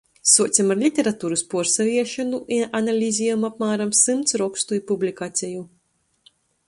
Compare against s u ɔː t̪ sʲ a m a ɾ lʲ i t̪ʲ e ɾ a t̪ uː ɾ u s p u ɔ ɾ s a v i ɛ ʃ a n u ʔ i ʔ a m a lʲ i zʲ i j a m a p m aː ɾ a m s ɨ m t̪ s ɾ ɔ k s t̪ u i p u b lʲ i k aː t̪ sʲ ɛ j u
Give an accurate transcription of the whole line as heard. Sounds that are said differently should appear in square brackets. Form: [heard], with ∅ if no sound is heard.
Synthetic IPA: s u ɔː t̪ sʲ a m a ɾ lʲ i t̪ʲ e ɾ a t̪ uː ɾ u s p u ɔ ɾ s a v i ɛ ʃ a n u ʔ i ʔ a [n] a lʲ i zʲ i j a m a p m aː ɾ a m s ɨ m t̪ s ɾ ɔ k s t̪ u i p u b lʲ i k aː t̪ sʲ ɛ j u